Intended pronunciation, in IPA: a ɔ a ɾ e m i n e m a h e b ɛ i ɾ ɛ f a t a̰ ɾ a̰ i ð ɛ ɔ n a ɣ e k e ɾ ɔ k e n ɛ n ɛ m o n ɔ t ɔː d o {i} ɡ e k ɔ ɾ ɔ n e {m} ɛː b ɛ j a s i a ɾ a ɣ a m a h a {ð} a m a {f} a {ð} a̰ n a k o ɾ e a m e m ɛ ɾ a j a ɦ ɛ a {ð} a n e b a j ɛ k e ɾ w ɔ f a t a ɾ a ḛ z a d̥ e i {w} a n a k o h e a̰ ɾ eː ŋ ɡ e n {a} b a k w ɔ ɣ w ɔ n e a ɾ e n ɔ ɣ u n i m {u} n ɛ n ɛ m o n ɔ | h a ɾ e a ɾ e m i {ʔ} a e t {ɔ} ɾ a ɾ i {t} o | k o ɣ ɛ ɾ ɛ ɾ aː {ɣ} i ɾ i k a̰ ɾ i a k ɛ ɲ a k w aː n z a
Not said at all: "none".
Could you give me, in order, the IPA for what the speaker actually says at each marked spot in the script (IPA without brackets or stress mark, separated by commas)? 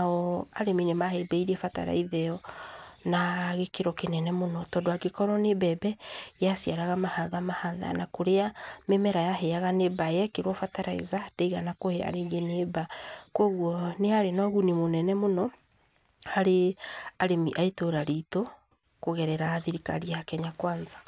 a, b, ð, h, ð, ɣ, ɣ, e, o, ʔ, o, t, ð